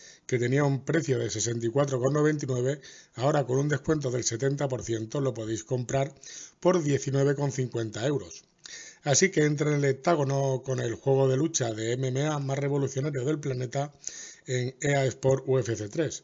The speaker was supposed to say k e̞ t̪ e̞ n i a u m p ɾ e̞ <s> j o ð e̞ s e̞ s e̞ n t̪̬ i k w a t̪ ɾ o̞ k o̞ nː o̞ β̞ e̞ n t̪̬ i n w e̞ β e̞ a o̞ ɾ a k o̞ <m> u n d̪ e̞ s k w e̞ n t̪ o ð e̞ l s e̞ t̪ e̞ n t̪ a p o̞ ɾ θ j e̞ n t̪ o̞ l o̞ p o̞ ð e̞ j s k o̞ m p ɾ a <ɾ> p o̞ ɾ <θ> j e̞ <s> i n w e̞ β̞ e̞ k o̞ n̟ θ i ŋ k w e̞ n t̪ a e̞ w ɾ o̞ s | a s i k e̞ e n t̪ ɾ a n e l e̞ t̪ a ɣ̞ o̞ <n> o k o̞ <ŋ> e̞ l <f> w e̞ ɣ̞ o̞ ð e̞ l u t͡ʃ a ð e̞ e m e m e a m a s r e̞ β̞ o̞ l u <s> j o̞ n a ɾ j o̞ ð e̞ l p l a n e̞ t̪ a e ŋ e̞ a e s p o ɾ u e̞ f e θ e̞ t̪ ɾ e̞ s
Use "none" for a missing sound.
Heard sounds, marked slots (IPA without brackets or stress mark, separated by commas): θ, n, ɾ, ð, θ, n, n, x, θ